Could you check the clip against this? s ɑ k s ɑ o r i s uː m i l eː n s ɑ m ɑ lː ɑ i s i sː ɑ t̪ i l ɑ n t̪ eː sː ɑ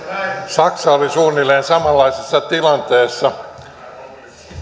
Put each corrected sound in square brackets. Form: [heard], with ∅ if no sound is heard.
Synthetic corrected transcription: s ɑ k s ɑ o [l] i s uː [n] i l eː n s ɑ m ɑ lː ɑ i s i sː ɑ t̪ i l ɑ n t̪ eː sː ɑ